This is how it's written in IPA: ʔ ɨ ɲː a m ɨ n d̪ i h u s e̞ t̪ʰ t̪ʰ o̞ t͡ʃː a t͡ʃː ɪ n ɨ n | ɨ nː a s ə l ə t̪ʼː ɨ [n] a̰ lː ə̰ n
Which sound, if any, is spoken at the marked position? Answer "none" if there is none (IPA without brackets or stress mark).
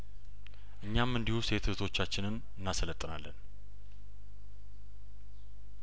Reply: n